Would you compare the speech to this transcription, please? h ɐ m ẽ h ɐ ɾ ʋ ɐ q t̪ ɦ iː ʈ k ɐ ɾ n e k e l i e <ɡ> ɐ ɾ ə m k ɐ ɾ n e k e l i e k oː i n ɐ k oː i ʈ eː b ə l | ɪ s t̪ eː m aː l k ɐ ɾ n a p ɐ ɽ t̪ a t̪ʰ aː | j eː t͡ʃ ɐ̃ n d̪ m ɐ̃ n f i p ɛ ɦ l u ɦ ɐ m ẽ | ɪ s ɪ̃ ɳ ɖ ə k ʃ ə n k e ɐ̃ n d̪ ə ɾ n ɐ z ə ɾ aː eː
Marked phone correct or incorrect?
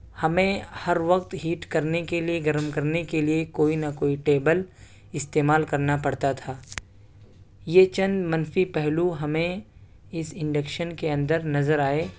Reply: correct